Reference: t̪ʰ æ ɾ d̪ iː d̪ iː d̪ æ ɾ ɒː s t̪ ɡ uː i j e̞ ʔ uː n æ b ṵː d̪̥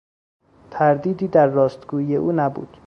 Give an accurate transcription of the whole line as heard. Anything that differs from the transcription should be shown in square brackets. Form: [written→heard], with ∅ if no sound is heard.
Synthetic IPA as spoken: t̪ʰ æ ɾ d̪ iː d̪ iː d̪ æ [ɾ→ɾː] ɒː s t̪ ɡ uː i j e̞ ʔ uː n æ b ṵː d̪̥